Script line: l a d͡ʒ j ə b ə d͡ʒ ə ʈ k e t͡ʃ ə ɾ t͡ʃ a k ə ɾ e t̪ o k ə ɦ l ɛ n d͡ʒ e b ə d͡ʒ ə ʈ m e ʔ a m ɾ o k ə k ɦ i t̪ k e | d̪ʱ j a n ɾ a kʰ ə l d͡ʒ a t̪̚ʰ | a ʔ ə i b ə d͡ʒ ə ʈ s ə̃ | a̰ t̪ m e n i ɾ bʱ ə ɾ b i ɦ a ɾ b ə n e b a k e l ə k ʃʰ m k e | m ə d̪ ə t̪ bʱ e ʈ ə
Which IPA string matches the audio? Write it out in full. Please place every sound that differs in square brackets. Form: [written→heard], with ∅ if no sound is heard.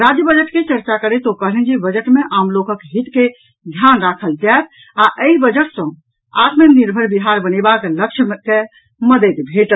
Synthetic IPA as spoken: [l→ɾ] a d͡ʒ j ə b ə d͡ʒ ə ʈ k e t͡ʃ ə ɾ t͡ʃ a k ə ɾ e t̪ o k ə ɦ l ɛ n d͡ʒ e b ə d͡ʒ ə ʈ m e ʔ a m [ɾ→l] o k ə k ɦ i t̪ k e | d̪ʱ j a n ɾ a kʰ ə l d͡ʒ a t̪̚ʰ | a ʔ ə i b ə d͡ʒ ə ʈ s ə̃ | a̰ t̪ m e n i ɾ bʱ ə ɾ b i ɦ a ɾ b ə n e b a k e l ə k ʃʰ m k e | m ə d̪ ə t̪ bʱ e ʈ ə